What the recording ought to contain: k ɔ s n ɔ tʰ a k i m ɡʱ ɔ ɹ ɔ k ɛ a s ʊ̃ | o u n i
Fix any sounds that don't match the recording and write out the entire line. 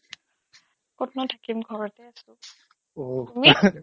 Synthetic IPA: k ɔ t n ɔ tʰ a k i m ɡʱ ɔ ɹ ɔ t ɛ a s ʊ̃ | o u m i